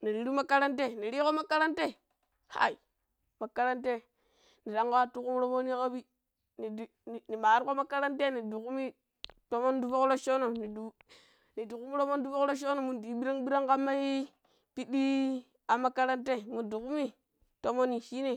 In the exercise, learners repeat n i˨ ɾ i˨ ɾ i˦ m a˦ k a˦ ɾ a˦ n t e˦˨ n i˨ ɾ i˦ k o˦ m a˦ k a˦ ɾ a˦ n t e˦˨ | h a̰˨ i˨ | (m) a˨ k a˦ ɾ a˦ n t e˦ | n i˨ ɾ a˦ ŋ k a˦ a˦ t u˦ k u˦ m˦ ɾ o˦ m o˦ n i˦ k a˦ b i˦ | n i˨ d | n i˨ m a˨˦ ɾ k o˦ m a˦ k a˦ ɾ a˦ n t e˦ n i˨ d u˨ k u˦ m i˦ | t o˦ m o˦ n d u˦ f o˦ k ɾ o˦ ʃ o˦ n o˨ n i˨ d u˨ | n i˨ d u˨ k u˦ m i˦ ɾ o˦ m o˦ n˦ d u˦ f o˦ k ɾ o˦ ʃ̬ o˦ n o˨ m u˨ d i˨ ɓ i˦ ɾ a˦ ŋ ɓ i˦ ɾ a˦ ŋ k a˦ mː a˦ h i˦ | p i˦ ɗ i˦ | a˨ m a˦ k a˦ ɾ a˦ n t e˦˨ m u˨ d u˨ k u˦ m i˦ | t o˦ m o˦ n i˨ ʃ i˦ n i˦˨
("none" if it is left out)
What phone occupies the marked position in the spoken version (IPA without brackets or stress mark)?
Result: m